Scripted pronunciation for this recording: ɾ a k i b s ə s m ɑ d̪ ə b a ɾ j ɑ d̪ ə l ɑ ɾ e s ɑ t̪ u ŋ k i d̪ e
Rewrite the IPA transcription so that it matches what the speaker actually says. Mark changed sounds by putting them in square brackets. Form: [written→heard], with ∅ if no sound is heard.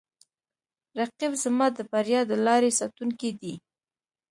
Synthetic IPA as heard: ɾ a [k→q] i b [s→z] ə [s→∅] m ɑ d̪ ə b a ɾ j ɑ d̪ ə l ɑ ɾ e s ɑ t̪ u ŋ k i d̪ [e→i]